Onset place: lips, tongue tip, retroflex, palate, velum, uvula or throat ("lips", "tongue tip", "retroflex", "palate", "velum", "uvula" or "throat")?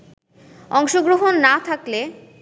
velum